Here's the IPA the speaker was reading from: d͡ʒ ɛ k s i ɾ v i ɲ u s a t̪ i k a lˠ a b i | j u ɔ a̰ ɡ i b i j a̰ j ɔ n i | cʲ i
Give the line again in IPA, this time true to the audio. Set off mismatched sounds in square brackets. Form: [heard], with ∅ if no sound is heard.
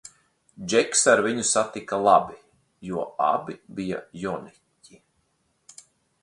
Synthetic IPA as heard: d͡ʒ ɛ k s [a] ɾ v i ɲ u s a t̪ i k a lˠ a b i | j u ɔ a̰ [b] i b i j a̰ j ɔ n i | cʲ i